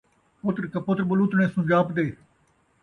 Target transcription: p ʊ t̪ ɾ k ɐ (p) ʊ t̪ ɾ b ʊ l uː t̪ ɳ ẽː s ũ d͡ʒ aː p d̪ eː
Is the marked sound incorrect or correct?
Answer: correct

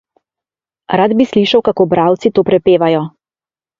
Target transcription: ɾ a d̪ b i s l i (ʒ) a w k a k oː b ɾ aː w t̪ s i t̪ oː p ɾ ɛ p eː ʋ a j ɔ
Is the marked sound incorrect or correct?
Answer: incorrect: ʃ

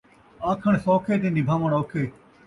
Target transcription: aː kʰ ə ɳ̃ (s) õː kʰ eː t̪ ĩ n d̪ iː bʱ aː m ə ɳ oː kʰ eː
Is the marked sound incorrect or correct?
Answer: correct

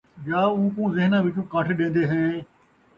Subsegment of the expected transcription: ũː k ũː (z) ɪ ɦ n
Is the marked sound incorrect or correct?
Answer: correct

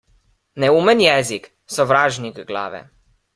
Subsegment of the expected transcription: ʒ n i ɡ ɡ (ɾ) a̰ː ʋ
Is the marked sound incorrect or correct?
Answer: incorrect: l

